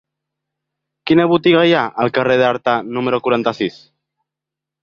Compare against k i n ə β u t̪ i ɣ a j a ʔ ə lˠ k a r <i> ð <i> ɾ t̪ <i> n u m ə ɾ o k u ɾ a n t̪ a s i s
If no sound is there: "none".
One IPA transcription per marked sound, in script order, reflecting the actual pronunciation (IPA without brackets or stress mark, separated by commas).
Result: e, a, a